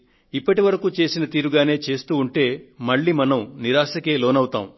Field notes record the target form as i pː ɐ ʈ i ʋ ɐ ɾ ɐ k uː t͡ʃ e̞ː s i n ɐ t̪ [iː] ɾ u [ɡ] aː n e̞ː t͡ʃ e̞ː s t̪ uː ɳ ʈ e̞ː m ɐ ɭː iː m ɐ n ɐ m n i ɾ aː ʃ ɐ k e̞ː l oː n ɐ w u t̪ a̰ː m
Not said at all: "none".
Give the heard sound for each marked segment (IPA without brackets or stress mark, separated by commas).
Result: iː, ɡ